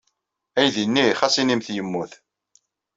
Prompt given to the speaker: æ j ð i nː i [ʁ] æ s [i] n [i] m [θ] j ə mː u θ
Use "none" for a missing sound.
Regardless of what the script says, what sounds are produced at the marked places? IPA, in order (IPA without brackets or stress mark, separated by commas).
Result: χ, i, i, θ